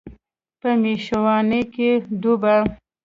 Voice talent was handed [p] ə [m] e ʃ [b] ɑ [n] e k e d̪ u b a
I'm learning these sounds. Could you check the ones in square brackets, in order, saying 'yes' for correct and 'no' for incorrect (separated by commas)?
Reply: yes, yes, no, yes